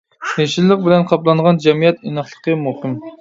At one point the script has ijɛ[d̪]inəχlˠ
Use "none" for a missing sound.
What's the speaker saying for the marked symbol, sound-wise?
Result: t̪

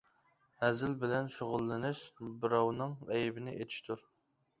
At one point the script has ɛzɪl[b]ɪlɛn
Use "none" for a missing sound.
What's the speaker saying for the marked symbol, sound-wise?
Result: b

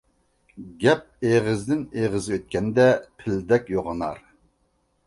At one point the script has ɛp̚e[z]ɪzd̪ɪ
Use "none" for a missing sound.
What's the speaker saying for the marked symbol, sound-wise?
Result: ʁ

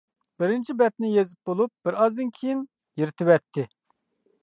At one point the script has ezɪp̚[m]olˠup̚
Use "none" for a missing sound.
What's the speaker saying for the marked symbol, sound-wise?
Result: b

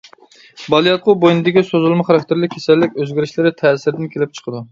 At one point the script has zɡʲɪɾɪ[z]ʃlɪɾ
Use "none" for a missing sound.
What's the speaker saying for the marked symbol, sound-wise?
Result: none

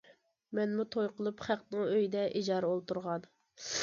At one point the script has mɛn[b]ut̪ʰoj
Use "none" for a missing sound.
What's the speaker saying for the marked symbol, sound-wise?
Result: m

